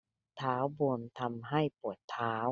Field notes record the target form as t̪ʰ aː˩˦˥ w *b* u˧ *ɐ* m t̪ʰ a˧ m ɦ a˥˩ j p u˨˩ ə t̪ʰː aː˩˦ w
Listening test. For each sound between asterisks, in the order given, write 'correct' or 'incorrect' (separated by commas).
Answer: correct, incorrect